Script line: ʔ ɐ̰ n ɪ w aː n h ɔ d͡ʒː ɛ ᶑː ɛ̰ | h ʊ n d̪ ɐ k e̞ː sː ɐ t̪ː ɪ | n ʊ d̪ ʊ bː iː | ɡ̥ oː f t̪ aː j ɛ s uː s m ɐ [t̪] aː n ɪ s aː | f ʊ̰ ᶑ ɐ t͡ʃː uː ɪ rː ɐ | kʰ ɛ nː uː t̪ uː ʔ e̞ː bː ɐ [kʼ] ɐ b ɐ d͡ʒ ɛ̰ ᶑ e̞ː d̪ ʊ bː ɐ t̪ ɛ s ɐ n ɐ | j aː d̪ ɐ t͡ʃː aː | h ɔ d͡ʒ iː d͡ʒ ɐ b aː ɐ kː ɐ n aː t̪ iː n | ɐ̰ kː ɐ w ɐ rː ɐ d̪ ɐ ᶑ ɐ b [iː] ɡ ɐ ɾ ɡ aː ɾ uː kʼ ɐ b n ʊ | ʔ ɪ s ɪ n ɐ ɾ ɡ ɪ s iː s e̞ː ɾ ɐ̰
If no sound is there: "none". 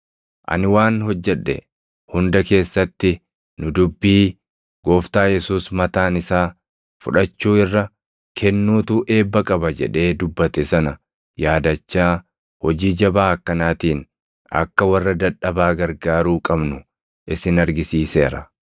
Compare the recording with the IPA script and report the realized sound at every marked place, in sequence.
t̪, kʼ, aː

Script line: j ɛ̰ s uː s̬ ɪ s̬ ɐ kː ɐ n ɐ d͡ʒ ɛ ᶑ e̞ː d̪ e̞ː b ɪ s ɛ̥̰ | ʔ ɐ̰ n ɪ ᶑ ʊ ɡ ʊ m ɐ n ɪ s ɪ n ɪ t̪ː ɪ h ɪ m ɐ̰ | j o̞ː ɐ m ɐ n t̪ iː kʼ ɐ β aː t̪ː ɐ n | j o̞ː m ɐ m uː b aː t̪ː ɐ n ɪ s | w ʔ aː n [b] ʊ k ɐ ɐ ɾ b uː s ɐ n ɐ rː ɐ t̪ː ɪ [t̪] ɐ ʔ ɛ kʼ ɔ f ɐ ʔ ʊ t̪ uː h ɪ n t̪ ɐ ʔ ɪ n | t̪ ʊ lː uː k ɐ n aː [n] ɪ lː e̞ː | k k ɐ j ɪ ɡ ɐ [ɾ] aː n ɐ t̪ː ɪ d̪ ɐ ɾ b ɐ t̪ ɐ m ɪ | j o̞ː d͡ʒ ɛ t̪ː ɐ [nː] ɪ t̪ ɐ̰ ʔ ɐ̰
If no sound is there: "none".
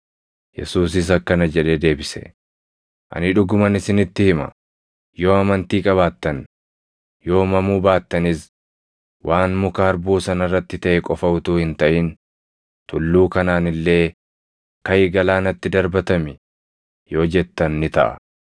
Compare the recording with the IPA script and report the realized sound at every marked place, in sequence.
m, t̪, n, l, nː

